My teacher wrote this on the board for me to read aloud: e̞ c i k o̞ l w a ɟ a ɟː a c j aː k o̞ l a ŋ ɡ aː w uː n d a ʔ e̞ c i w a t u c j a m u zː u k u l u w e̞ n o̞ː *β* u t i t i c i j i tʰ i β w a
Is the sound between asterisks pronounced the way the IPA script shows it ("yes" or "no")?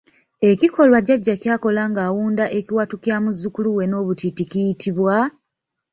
yes